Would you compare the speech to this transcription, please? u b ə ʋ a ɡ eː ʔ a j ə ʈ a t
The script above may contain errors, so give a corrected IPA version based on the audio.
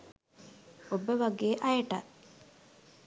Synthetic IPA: o b ə ʋ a ɡ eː ʔ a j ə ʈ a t